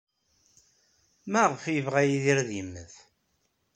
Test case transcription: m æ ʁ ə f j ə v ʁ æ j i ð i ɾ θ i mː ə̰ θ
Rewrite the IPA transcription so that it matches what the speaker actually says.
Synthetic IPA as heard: m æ ʁ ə f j ə v ʁ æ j i ð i ɾ ð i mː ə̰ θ

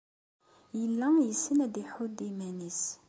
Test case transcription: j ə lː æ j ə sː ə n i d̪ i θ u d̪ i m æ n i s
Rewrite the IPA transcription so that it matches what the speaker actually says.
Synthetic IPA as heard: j ə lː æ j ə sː ə n æ d̪ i ħ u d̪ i m æ n i s

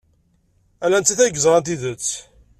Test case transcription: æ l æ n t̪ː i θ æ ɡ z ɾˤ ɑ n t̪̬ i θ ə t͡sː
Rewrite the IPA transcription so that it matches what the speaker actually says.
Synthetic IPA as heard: æ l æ n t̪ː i θ æ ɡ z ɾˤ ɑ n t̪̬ i ð ə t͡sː

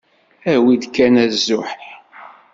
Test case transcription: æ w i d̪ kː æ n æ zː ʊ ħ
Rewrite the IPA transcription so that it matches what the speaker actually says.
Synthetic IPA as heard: æ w i d̪ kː æ n æ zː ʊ ħ

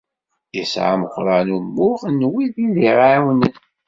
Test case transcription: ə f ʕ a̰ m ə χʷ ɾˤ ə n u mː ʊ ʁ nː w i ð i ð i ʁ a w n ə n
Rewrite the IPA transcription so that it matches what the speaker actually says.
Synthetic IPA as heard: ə s ʕ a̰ m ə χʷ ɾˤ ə n u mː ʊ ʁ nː w i ð i ð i ʁ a w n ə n

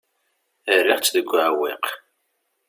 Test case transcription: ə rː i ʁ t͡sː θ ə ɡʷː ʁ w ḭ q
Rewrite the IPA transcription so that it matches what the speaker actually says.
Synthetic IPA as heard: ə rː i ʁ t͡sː ð ə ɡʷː ʕ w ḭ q

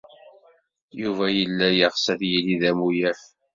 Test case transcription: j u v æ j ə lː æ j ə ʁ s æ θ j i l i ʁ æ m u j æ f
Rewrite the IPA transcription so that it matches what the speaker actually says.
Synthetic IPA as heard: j u v æ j ə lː æ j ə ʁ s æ θ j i l i ð æ m u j æ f

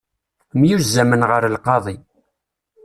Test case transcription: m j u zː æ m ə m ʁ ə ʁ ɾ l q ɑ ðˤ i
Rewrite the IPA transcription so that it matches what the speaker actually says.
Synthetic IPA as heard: m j u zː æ m ə n ʁ ə ɾ l q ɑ ðˤ i

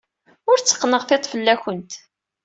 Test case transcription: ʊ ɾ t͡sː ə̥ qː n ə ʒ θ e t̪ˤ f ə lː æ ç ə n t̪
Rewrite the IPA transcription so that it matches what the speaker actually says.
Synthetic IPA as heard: ʊ ɾ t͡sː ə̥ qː n ə ʁ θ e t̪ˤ f ə lː æ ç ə n t̪

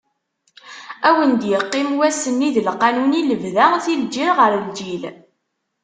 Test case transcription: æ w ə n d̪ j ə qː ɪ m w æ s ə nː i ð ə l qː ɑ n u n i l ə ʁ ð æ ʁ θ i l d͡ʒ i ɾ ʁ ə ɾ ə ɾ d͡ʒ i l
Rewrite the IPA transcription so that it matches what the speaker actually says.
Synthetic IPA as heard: æ w ə n d̪ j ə qː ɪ m w æ s ə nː i ð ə l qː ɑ n u n i l ə v ð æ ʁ θ i l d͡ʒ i ɾ ʁ ə ɾ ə l d͡ʒ i l

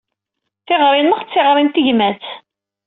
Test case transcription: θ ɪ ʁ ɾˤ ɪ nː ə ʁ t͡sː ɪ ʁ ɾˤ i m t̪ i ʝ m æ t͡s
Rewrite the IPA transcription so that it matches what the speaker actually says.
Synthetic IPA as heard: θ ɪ ʁ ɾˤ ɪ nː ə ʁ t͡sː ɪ ʁ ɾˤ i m t̪ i ʝ m æ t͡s

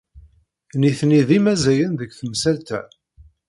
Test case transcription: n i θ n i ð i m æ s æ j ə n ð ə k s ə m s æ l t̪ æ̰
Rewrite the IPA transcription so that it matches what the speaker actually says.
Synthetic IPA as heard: n i θ n i ð i m æ z æ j ə n ð ə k θ ə m s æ l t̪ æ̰

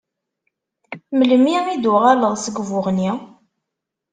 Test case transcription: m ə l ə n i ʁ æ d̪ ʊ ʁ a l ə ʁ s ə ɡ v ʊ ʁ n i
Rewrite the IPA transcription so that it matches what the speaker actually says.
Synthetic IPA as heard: m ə l ə m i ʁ i d̪ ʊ ʁ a l ə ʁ s ə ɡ v ʊ ʁ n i

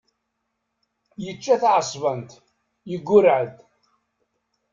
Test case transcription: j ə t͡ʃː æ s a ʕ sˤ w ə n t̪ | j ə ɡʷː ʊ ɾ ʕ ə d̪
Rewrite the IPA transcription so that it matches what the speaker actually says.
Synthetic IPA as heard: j ə t͡ʃː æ θ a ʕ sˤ v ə n t̪ | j ə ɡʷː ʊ ɾ ʕ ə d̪

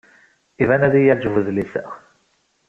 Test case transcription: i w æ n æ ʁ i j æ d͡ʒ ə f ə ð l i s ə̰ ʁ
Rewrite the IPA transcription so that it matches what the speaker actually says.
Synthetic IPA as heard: i v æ n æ ð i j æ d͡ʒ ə v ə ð l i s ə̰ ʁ

